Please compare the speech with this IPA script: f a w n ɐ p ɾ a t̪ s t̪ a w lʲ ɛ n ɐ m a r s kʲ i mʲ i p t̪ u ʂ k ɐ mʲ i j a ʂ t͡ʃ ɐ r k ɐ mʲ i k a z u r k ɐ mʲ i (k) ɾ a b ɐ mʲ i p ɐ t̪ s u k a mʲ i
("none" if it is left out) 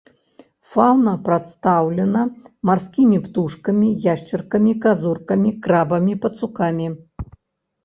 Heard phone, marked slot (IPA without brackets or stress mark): k